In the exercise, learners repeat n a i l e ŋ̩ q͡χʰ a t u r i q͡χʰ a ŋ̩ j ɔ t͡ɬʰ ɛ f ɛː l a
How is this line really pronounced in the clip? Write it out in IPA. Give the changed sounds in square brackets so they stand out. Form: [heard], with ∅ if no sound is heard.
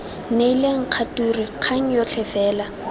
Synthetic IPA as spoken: n [e] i l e ŋ̩ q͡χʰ a t u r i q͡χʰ a ŋ̩ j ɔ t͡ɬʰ ɛ f ɛː l a